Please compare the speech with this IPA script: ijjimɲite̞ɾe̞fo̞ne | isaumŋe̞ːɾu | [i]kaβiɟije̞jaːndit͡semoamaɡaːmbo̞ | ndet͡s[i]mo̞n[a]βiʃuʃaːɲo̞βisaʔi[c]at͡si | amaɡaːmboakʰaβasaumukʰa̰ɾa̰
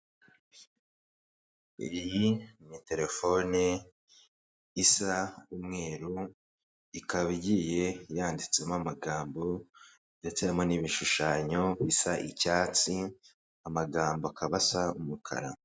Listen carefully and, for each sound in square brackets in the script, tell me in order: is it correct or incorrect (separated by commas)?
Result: correct, incorrect, incorrect, correct